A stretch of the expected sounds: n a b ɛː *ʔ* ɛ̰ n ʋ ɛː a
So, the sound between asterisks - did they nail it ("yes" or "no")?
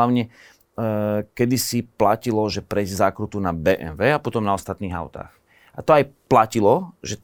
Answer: yes